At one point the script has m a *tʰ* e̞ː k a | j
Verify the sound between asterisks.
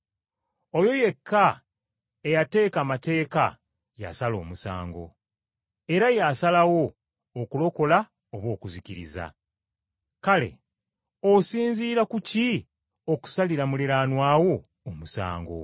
incorrect: t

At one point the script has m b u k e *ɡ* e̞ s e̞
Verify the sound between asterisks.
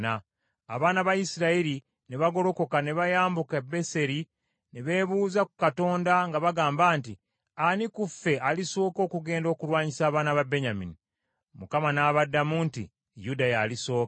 incorrect: b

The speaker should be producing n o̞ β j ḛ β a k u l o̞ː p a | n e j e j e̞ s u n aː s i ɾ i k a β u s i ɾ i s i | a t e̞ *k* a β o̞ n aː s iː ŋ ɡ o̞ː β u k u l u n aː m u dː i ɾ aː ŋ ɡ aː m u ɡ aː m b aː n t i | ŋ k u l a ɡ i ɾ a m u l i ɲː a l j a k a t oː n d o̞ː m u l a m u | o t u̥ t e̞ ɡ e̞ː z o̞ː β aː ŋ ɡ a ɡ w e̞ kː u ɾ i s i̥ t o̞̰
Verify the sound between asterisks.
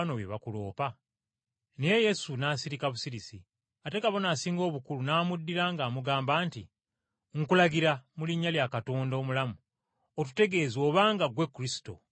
correct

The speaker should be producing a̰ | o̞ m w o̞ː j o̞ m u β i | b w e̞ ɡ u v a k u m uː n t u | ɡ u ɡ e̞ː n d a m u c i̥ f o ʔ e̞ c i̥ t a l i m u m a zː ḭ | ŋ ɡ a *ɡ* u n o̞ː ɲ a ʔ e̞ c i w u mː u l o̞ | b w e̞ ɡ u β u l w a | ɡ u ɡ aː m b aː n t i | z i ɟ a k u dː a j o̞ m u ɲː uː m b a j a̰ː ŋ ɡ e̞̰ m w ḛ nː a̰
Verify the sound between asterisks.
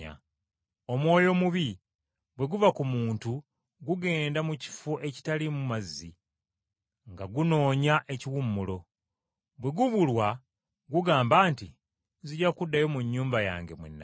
correct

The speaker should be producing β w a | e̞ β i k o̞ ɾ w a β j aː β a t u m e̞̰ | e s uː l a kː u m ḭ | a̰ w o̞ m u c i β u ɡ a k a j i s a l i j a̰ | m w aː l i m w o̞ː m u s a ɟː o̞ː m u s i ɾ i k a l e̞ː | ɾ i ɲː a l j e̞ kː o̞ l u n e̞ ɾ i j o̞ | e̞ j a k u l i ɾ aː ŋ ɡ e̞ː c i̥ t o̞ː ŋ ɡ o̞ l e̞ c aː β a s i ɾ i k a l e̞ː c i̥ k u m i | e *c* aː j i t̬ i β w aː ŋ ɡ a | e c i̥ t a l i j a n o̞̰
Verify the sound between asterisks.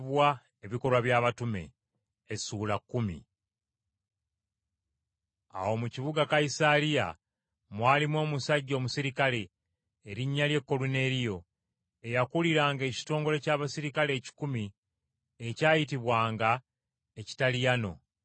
correct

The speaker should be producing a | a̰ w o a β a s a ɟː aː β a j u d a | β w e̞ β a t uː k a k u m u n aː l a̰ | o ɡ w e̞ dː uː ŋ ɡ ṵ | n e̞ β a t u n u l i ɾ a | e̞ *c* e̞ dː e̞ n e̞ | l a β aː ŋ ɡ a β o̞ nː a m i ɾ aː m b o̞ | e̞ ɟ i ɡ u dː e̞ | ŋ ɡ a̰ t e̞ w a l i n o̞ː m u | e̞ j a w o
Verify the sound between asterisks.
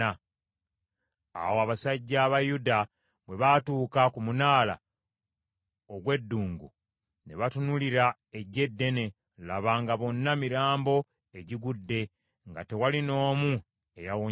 incorrect: ɟ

